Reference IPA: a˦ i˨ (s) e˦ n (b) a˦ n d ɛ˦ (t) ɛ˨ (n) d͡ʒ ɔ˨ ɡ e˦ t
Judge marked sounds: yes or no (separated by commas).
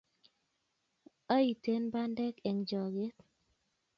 no, yes, no, no